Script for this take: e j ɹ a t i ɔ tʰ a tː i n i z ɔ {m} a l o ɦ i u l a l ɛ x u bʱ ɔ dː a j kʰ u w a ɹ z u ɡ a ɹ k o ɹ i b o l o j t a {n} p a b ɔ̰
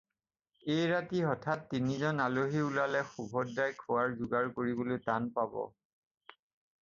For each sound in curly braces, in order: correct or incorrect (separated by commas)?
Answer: incorrect, correct